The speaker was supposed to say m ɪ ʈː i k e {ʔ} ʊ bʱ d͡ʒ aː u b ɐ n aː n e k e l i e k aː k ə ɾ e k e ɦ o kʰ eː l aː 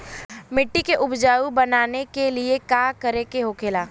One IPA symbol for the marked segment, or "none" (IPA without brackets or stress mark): ʔ